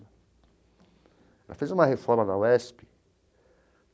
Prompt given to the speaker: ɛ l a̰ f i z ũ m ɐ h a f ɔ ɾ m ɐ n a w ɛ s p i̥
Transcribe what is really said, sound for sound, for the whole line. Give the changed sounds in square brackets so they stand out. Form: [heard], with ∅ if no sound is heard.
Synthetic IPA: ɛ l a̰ f [e] z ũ m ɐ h [e] f ɔ ɾ m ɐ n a w ɛ s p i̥